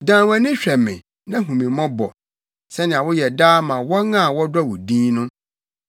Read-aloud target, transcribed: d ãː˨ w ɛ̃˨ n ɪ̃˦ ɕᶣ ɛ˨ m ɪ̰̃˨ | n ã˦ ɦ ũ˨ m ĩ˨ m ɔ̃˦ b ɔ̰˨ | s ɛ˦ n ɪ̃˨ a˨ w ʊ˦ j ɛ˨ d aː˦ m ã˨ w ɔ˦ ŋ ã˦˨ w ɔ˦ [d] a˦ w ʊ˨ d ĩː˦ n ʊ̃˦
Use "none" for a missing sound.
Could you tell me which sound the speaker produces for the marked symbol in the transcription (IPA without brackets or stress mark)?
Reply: d